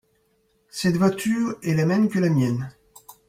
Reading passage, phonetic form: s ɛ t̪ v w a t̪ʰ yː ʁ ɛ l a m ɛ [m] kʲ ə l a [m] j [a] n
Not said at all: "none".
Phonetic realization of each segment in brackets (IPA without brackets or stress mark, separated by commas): m, m, ɛ